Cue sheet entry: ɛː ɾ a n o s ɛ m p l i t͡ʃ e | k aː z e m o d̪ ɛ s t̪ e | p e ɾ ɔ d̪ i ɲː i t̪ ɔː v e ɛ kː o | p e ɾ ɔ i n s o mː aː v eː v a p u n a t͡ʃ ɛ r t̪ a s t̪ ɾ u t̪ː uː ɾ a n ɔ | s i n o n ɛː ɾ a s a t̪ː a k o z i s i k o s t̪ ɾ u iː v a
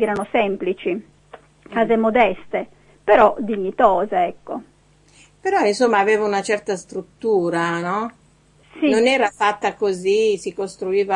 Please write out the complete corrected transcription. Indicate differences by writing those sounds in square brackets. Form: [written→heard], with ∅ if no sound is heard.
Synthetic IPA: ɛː ɾ a n o s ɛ m p l i t͡ʃ [e→i] | k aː z e m o d̪ ɛ s t̪ e | p e ɾ ɔ d̪ i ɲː i t̪ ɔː [v→z] e ɛ kː o | p e ɾ ɔ i n s o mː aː v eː v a [p→∅] u n a t͡ʃ ɛ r t̪ a s t̪ ɾ u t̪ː uː ɾ a n ɔ | s i n o n ɛː ɾ a [s→f] a t̪ː a k o z i s i k o s t̪ ɾ u iː v a